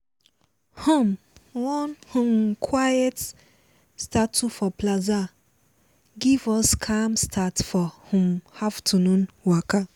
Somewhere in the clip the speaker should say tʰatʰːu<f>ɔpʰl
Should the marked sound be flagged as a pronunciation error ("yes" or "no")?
no